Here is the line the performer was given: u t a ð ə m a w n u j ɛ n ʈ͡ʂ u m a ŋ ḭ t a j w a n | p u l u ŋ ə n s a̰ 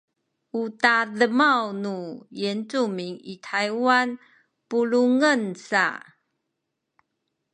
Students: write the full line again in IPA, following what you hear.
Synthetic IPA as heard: u t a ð ə m a w n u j ɛ n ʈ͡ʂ u m i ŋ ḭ tʰ a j w a n | p u l u ŋ ə n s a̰